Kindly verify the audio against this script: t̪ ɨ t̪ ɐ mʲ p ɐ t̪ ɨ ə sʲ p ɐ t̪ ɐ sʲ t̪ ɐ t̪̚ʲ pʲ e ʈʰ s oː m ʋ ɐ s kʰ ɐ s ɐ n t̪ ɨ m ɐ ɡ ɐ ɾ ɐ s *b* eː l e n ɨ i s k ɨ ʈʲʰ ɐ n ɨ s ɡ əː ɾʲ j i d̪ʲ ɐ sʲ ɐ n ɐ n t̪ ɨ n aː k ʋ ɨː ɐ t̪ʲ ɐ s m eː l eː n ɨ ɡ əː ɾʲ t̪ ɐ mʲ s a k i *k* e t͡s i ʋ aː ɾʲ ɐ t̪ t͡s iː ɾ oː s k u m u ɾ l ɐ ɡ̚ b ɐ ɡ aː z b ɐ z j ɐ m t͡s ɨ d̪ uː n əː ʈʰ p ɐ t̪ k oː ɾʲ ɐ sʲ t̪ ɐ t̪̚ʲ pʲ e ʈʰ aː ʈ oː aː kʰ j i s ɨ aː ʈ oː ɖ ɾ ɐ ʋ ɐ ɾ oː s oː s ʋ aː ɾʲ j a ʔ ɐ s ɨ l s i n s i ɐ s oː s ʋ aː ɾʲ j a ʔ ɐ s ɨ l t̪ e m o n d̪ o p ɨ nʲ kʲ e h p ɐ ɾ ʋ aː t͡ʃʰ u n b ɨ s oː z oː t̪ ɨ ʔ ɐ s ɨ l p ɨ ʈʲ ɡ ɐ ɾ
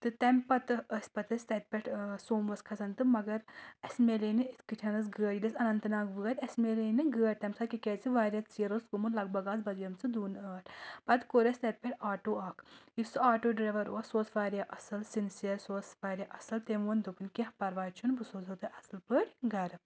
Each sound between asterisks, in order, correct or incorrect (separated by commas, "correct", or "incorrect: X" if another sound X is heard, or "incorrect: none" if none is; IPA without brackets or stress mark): incorrect: m, correct